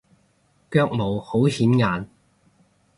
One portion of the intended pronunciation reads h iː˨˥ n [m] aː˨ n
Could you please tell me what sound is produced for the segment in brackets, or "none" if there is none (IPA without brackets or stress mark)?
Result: ŋ